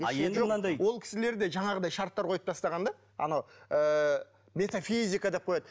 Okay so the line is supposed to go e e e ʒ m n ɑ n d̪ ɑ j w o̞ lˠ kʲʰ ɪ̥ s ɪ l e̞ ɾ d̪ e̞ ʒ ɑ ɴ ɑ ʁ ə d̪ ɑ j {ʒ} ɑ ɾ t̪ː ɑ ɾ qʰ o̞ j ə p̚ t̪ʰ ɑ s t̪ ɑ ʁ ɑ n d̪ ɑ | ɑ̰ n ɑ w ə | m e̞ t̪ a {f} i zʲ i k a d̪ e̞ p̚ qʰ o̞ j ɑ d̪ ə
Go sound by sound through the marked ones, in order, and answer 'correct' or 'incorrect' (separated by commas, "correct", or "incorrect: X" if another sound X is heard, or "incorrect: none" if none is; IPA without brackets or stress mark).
incorrect: ʃ, correct